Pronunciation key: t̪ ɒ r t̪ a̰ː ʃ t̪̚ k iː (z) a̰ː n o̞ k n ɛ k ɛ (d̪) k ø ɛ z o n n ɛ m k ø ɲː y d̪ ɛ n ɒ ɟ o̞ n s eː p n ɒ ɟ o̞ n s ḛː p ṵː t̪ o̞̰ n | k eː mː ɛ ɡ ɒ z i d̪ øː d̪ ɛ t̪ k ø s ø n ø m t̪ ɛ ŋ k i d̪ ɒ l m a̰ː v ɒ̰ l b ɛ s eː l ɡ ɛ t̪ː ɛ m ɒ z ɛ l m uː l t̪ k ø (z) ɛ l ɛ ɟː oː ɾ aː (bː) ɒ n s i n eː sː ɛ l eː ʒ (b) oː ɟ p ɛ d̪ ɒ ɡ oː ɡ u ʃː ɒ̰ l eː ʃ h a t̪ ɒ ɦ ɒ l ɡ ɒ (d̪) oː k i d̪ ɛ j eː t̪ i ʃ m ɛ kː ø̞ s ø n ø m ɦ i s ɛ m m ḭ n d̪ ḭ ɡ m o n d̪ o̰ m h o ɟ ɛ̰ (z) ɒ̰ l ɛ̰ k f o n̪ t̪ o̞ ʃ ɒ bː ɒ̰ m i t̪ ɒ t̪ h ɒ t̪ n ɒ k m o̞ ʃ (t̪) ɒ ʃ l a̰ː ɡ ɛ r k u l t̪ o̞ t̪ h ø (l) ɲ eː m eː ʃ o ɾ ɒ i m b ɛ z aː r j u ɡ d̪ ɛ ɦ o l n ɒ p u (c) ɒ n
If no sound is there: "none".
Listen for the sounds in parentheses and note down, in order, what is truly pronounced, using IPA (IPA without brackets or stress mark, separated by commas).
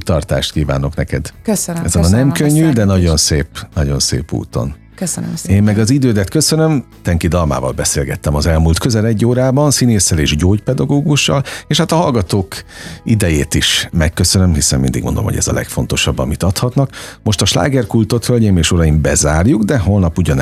v, d̪, z, b, ɟ, t̪, z, t̪, l, ɟ